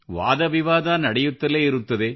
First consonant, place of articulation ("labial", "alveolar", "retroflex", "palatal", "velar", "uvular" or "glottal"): labial